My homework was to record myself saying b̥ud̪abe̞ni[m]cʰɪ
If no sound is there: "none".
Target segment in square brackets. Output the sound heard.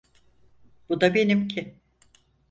m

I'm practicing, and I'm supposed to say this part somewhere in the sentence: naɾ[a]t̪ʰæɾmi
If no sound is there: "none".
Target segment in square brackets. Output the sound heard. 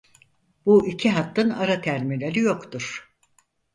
a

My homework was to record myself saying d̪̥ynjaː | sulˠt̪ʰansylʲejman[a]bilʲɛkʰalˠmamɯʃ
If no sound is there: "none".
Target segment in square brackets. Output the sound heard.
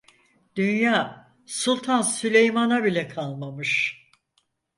a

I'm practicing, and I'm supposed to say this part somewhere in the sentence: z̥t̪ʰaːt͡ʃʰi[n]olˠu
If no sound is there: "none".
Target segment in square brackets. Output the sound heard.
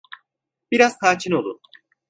n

